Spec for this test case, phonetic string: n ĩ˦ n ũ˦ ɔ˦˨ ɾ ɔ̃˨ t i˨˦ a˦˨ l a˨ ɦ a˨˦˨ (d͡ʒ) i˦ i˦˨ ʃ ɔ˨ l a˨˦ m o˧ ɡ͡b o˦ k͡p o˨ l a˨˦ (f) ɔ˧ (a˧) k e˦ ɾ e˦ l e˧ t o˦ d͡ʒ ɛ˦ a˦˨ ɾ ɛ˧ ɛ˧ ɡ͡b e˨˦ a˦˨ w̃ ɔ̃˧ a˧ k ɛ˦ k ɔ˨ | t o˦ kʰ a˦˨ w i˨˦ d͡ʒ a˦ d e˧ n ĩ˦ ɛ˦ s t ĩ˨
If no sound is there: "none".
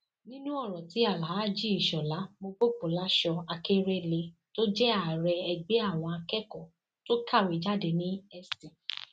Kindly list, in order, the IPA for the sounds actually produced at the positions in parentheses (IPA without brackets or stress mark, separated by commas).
d͡ʒ, ʃ, a˧